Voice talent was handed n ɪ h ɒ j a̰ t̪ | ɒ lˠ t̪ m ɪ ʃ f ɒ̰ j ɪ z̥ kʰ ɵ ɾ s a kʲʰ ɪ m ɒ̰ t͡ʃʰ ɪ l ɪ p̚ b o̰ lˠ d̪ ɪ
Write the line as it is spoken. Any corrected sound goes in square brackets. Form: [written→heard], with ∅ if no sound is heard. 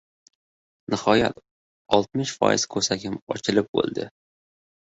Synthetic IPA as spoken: n ɪ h ɒ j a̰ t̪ | ɒ lˠ t̪ m ɪ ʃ f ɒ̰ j ɪ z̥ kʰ ɵ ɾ s a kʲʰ ɪ m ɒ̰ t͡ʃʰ ɪ l ɪ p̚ b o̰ lˠ d̪ ɪ